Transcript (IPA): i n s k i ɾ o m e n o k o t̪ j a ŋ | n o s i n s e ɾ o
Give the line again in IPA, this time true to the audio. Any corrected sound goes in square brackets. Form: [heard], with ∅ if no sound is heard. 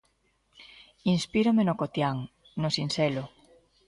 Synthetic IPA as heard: i n s [p] i ɾ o m e n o k o t̪ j a ŋ | n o s i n s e [l] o